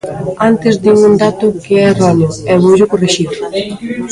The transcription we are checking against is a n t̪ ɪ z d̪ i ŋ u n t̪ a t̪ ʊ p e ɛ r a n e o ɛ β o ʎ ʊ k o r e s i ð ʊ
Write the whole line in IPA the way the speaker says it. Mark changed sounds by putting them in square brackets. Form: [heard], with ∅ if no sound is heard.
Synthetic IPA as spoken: a n t̪ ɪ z d̪ i ŋ u n [d̪] a t̪ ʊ [k] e ɛ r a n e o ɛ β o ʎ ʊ k o r e [ʃ] i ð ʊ